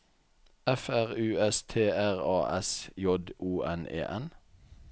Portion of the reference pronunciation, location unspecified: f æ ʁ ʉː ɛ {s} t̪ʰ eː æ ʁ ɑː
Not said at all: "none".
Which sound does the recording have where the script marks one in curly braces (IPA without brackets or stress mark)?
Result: s